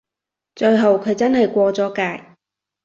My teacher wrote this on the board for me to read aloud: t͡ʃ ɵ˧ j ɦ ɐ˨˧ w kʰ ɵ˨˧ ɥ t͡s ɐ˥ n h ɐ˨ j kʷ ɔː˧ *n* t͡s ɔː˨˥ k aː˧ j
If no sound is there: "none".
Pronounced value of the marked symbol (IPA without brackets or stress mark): none